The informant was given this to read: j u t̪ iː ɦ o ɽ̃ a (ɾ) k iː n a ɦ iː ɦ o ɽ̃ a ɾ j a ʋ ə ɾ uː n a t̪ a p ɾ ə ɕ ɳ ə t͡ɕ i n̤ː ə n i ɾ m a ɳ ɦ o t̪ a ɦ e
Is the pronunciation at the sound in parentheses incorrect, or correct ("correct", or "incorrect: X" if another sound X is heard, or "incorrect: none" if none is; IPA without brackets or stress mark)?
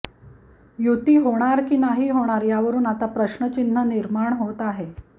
correct